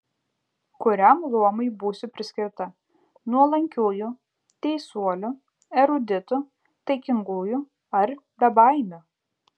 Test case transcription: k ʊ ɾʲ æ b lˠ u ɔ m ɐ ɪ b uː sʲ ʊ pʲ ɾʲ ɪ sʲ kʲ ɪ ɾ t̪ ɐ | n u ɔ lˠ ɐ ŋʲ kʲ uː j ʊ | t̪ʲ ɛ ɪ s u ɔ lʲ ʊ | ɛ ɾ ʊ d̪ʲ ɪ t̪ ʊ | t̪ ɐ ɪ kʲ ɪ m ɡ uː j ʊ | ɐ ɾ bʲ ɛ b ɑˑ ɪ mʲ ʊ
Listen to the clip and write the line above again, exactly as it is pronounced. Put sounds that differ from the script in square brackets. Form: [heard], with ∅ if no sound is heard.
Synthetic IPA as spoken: k ʊ ɾʲ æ [m] lˠ u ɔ m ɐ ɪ b uː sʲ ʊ pʲ ɾʲ ɪ sʲ kʲ ɪ ɾ t̪ ɐ | n u ɔ lˠ ɐ ŋʲ kʲ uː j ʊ | t̪ʲ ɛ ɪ s u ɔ lʲ ʊ | ɛ ɾ ʊ d̪ʲ ɪ t̪ ʊ | t̪ ɐ ɪ kʲ ɪ [ŋ] ɡ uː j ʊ | ɐ ɾ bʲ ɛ b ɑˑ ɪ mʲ ʊ